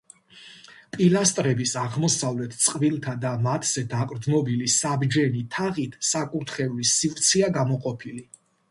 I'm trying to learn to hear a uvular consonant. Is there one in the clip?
yes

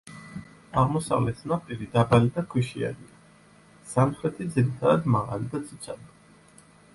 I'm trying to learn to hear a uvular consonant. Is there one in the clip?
yes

